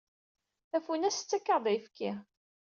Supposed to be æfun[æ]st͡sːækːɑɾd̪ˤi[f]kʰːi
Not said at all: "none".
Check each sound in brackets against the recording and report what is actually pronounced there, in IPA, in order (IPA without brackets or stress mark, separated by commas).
æ, f